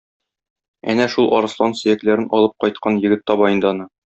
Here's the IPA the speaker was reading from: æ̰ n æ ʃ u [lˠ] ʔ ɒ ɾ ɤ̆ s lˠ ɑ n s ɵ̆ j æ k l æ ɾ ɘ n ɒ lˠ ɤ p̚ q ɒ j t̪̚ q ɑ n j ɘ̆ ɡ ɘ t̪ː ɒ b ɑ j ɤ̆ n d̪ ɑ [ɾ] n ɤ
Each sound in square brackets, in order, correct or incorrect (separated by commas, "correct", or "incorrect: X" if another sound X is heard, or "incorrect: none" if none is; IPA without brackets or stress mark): correct, incorrect: none